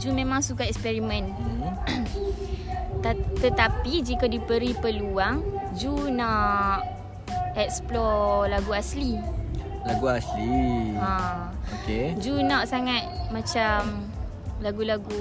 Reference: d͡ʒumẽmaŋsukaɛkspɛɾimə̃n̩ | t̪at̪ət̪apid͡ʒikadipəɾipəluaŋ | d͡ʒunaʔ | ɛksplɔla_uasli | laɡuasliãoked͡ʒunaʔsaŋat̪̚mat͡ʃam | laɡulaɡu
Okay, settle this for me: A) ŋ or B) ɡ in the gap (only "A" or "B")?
B